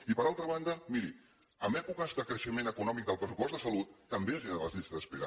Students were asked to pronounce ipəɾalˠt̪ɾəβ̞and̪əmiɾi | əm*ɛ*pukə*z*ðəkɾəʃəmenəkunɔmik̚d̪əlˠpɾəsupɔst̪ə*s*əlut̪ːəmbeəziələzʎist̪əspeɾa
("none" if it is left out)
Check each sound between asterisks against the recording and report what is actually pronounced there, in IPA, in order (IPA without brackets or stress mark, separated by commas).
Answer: ɛ, z, s